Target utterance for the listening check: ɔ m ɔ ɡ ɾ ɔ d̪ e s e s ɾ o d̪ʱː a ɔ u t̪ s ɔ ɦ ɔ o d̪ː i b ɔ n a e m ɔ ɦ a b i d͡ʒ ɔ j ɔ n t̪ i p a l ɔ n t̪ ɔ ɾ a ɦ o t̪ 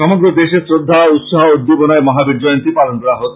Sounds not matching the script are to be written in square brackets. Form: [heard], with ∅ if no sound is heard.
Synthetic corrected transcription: ɔ m ɔ ɡ ɾ ɔ d̪ e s e s ɾ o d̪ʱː a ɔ u t̪ s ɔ ɦ ɔ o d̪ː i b ɔ n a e m ɔ ɦ a b i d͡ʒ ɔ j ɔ n t̪ i p a l ɔ n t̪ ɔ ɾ a ɦ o t̪